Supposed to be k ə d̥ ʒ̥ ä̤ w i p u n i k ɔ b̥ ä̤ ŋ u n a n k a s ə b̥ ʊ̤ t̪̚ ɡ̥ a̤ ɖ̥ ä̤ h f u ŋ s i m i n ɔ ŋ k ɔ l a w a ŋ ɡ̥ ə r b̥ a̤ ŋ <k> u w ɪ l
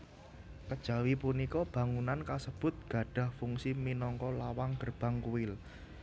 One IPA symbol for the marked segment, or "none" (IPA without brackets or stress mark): k